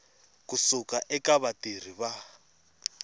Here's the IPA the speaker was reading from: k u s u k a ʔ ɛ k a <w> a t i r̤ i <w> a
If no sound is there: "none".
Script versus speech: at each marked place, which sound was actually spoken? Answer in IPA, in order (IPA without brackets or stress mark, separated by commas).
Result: β, β